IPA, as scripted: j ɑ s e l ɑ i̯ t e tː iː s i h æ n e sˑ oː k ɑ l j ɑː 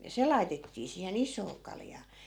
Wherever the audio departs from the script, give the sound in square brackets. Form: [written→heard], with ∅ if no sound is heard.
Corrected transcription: j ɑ s e l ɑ i̯ t e tː iː s [i→iː] h [æ→e] n [e→i] sˑ oː k ɑ l j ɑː

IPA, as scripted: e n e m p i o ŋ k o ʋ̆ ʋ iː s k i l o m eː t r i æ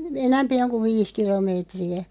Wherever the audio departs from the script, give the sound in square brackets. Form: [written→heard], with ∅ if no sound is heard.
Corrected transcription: e n [e→æ] m p i o ŋ k [o→u] ʋ̆ ʋ iː s k i l o m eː t r i æ

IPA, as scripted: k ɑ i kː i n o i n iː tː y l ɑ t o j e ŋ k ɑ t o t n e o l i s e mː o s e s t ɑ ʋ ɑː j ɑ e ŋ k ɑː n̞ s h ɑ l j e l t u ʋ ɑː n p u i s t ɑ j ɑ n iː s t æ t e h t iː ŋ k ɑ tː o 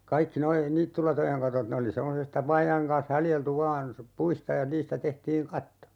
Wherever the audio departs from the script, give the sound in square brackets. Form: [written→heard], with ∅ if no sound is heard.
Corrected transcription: k ɑ i kː i n o i n iː tː y l ɑ t o j e ŋ k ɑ t o t n e o l i s e mː o s e s t ɑ ʋ ɑː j ɑ e ŋ k ɑː n̞ s h ɑ l j e l t u ʋ ɑː n p u i s t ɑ j ɑ n iː s t æ t e h t iː ŋ k ɑ tː o

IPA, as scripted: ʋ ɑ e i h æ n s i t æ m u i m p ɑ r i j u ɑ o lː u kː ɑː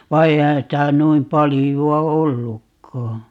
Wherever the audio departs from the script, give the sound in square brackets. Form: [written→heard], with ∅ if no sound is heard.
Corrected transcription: ʋ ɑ e i h æ n s i t æ [m→n] u i m p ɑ [r→l] i j u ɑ o lː u kː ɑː

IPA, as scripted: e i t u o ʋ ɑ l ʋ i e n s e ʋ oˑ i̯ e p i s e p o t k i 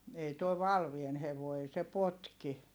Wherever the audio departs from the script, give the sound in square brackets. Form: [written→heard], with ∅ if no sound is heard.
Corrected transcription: e i t u o ʋ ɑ l ʋ i e n [s→h] e ʋ oˑ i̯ e [p→∅] i s e p o t k i

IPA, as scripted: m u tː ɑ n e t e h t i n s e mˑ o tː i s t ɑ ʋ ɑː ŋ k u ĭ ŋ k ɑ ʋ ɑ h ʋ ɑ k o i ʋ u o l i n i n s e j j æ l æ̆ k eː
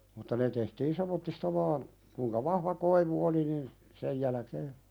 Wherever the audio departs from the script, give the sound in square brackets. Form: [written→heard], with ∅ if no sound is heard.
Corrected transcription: m u tː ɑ n e t e h t [i→iː] n s e mˑ o tː i s t ɑ ʋ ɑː [ŋ→n] k u ĭ ŋ k ɑ ʋ ɑ h ʋ ɑ k o i ʋ u o l i n i n s e j j æ l æ̆ k eː

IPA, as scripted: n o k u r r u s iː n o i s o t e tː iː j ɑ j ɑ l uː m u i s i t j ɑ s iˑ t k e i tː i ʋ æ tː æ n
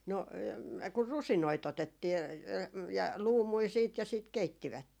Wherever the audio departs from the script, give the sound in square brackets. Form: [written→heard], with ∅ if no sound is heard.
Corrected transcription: n o k u r r u s [iː→i] n o i [s→t] o t e tː iː j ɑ j ɑ l uː m u i s [i→iː] t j ɑ s iˑ t k e i tː i ʋ æ tː [æ→e] n

